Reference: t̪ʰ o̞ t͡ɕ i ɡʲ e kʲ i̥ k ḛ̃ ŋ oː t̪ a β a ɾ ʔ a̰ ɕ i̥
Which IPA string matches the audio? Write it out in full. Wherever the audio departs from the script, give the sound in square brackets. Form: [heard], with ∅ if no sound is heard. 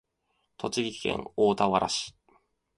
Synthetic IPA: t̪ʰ o̞ t͡ɕ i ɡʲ [i] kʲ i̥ k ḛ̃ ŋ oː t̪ a β a ɾ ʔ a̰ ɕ i̥